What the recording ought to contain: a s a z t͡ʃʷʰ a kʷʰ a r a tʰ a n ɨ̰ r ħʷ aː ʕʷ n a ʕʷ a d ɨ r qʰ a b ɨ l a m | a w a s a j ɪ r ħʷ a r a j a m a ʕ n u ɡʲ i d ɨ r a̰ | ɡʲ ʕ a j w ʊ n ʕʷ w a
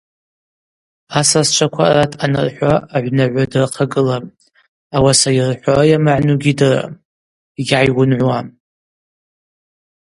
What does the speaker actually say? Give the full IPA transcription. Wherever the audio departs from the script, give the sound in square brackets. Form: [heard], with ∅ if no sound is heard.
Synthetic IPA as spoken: a s a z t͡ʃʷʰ a kʷʰ a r a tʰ a n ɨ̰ r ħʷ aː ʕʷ n a ʕʷ a d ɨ r qʰ a [ɡ] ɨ l a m | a w a s a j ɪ r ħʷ a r a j a m a ʕ n u ɡʲ i d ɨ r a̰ | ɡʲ ʕ a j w ʊ n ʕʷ w a